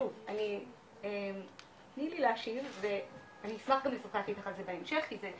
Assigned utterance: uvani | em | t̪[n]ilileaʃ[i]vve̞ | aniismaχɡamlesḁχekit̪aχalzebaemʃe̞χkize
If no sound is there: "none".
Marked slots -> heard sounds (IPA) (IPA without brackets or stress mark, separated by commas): n, i